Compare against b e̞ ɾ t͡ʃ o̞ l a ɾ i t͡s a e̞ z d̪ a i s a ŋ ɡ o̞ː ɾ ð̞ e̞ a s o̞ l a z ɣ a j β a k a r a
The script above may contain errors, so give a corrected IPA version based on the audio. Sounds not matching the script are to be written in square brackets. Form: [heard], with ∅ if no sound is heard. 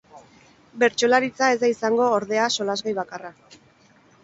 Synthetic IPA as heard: b e̞ ɾ t͡ʃ o̞ l a ɾ i t͡s a e̞ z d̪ a i s a ŋ ɡ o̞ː ɾ ð̞ e̞ a s o̞ l a z ɣ a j β a k a r a